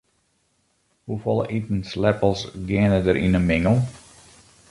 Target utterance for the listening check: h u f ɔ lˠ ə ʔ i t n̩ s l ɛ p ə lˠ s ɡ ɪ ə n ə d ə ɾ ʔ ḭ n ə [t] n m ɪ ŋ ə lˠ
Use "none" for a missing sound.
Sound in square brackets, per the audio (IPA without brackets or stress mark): none